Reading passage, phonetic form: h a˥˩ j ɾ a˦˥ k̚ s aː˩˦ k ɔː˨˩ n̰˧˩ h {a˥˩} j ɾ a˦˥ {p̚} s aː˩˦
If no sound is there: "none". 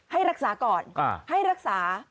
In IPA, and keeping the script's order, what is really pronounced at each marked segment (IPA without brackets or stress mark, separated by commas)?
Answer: a˥˩, k̚